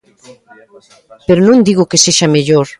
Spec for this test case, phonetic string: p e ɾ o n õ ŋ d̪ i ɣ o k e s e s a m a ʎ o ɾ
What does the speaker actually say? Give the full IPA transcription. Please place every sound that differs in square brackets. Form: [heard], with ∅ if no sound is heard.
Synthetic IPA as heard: p e ɾ o n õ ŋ d̪ i ɣ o k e s e [ʃ] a m [e] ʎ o ɾ